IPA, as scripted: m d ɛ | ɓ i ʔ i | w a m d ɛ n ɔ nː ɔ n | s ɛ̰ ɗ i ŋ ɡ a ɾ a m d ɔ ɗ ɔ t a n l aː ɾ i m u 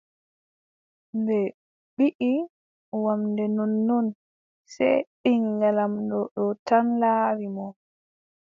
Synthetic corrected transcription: m b ɛ | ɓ i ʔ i | w a m d ɛ n ɔ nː ɔ n | s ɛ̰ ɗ i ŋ ɡ a l a m d ɔ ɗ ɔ t a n l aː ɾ i m ɔ